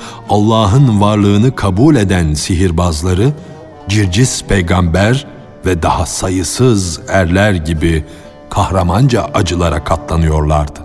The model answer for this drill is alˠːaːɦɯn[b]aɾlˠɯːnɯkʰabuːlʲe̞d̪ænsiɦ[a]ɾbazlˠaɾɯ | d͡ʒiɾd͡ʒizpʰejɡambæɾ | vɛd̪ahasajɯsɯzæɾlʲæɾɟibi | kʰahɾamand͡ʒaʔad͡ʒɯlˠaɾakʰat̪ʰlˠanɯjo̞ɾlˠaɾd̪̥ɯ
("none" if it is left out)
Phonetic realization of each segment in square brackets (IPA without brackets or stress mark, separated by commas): v, i